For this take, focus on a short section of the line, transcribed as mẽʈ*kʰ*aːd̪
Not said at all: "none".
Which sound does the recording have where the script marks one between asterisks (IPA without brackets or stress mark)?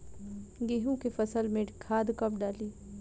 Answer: kʰ